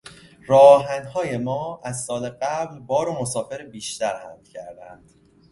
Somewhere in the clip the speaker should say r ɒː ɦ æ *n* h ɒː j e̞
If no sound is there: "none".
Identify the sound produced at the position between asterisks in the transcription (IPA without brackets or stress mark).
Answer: n